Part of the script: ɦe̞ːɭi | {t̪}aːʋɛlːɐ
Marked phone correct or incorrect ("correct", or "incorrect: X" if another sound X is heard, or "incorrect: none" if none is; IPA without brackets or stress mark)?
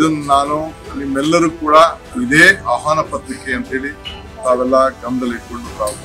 correct